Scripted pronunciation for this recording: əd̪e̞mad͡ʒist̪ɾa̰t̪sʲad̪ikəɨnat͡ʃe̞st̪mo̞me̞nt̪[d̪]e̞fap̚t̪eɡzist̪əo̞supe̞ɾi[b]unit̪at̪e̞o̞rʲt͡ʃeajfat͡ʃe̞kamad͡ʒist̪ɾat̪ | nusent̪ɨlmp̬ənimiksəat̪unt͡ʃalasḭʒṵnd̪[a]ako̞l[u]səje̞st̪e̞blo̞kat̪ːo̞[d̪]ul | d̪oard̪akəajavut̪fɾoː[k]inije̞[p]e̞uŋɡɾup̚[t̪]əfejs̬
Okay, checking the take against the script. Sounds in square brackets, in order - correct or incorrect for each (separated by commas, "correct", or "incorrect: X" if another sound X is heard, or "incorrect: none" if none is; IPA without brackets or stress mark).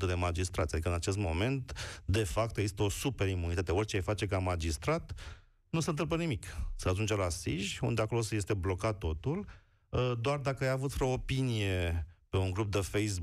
correct, incorrect: m, incorrect: e, incorrect: o, incorrect: t̪, incorrect: p, correct, incorrect: d̪